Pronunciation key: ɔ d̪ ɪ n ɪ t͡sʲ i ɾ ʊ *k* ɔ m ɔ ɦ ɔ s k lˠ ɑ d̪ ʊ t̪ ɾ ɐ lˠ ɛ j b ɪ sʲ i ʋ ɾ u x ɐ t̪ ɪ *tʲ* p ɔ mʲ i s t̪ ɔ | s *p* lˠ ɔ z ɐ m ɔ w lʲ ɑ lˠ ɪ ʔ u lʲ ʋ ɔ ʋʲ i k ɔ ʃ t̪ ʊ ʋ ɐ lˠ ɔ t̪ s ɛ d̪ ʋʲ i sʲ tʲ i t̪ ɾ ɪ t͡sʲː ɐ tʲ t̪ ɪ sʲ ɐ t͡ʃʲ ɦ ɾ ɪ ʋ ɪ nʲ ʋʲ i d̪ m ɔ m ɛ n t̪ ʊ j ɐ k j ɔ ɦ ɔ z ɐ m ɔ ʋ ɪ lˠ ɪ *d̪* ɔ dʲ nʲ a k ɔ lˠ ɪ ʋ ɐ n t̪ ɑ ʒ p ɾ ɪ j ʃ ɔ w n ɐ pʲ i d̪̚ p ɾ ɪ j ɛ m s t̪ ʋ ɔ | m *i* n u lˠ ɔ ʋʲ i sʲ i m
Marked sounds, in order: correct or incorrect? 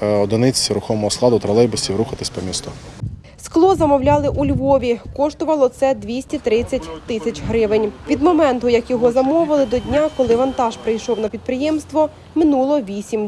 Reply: incorrect: x, incorrect: sʲ, incorrect: k, correct, incorrect: ɪ

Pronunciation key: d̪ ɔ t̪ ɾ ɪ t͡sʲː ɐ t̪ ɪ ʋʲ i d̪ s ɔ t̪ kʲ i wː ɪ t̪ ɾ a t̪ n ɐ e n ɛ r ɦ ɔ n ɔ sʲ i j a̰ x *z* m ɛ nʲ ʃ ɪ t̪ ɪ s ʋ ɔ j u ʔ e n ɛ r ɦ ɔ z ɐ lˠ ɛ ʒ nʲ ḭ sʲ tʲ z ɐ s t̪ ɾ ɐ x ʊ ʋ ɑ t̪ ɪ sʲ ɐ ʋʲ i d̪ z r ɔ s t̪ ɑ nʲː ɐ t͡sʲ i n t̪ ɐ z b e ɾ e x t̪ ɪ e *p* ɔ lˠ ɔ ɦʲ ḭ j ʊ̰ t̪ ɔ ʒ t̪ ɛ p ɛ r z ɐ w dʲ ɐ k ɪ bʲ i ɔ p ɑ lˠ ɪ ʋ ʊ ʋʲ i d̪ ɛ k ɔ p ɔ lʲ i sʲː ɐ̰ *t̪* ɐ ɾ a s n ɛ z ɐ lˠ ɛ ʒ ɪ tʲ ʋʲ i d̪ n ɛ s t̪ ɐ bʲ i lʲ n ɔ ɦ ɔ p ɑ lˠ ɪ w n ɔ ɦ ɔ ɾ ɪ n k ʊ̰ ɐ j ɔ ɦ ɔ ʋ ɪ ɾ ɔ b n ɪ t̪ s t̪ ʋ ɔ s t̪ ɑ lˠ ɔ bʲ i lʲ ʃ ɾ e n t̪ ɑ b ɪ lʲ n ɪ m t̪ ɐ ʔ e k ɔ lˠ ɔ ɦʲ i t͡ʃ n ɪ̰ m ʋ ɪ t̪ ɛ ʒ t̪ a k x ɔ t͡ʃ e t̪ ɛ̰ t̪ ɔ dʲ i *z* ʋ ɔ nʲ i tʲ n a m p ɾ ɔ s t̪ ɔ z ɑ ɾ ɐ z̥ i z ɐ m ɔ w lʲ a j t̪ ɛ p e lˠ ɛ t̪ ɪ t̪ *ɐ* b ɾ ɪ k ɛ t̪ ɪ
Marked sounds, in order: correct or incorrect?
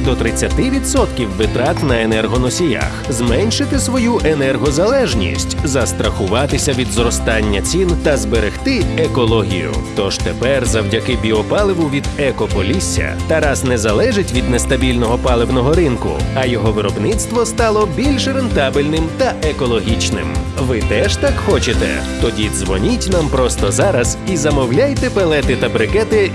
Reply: correct, incorrect: k, correct, correct, correct

